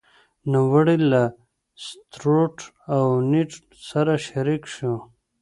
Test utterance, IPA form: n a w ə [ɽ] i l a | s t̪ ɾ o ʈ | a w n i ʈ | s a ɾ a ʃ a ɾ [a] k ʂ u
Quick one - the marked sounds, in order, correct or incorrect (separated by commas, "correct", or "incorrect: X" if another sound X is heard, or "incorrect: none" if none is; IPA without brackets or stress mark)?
correct, incorrect: i